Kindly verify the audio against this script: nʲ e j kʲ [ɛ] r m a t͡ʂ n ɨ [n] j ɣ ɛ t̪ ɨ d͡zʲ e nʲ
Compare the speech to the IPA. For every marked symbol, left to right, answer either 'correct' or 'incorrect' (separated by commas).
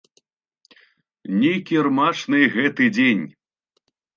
incorrect, incorrect